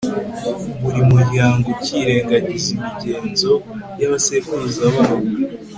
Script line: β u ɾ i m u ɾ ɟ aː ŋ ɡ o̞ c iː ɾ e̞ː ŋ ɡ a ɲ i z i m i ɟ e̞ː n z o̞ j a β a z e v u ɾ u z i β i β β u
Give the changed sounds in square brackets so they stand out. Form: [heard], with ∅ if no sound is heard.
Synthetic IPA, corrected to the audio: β u ɾ i m u ɾ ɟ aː ŋ ɡ o̞ c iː ɾ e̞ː ŋ ɡ a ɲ i z i m i ɟ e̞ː n z o̞ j a β a [s] e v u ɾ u z [a] β [a] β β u